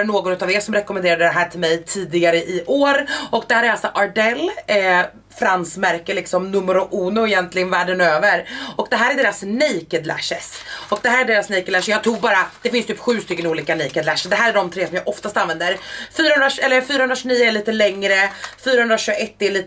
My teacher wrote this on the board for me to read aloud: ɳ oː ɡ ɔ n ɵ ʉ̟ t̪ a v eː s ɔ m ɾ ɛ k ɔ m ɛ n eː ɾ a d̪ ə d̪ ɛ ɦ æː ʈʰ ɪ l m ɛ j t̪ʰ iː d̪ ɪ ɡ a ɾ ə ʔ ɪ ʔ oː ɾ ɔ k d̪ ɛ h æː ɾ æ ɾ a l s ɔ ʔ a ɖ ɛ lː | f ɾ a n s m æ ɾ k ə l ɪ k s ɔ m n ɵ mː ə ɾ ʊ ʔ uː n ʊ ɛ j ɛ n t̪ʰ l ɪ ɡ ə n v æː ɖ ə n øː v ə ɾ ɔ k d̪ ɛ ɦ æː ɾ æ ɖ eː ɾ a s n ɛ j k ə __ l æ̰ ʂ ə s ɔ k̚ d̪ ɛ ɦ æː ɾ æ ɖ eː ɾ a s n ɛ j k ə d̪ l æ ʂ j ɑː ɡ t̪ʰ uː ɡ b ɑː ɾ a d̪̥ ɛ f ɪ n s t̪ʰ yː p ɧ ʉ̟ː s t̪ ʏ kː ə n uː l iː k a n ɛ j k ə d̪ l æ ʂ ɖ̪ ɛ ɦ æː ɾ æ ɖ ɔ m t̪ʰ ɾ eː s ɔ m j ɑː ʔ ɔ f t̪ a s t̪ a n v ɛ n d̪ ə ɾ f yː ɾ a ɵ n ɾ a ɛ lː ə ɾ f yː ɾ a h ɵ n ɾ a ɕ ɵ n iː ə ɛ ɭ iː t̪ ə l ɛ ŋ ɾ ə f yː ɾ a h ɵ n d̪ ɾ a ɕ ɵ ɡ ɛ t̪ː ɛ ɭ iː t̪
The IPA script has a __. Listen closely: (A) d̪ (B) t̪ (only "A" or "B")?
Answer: A